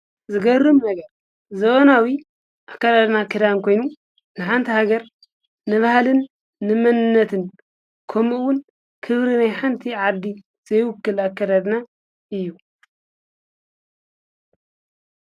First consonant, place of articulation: alveolar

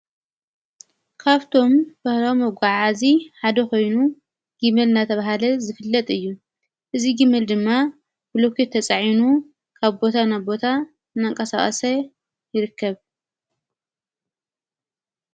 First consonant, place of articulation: velar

